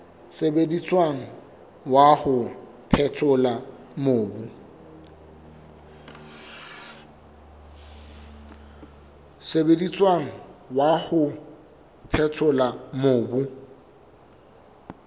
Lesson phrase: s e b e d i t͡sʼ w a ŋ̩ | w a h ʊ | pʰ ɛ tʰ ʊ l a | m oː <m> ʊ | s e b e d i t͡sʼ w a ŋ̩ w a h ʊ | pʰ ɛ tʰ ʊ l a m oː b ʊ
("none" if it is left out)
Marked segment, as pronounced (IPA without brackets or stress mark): b